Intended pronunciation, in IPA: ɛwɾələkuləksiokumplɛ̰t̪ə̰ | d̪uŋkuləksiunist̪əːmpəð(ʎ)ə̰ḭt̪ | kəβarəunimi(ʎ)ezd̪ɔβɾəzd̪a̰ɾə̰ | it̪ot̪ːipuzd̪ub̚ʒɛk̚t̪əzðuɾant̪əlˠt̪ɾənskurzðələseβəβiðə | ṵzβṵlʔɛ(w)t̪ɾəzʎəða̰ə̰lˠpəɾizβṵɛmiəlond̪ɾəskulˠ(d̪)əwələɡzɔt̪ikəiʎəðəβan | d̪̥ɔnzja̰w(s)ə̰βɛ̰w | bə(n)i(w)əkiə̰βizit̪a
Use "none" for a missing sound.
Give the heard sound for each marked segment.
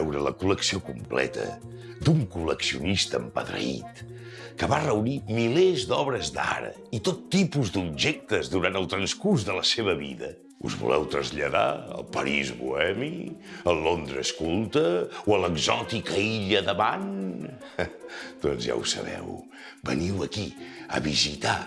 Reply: ɾ, l, w, t̪, s, n, w

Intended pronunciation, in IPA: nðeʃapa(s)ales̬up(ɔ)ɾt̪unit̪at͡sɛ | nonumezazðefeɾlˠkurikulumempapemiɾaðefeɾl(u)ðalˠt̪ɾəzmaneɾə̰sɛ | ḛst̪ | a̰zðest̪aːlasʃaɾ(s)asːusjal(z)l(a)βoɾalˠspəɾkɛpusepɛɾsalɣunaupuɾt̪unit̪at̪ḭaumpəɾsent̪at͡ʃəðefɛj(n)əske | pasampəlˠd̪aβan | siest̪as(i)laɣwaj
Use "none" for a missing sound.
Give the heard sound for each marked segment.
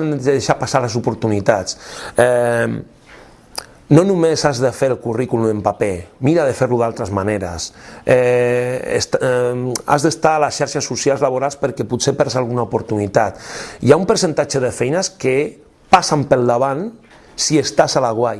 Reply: s, u, u, ʃ, z, a, n, a

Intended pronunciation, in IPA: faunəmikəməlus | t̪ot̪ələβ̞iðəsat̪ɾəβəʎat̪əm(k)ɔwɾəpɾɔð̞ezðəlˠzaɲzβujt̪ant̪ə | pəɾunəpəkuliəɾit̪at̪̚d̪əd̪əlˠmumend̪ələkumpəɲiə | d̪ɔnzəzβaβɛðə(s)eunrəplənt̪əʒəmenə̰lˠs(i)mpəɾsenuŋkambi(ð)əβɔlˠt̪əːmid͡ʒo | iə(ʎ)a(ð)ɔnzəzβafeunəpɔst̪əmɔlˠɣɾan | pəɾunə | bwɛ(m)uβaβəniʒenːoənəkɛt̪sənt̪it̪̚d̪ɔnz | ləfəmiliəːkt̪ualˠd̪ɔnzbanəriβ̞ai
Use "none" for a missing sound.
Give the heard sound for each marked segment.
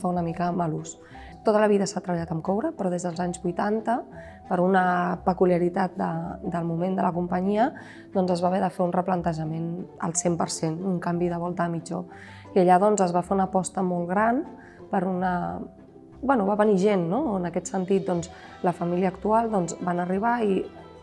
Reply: k, f, e, ð, ʎ, ð, n

